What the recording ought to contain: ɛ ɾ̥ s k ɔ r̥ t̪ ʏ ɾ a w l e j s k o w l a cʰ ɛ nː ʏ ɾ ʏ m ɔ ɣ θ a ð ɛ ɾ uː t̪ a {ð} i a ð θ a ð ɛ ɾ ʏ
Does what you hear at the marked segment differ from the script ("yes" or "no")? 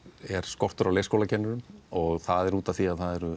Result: yes